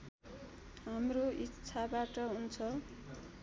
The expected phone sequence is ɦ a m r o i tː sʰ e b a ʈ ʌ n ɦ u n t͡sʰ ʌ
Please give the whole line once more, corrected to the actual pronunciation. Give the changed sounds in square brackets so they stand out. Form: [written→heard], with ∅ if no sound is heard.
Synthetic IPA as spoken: ɦ a m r o i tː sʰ [e→a] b a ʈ ʌ [n→∅] ɦ u n t͡sʰ ʌ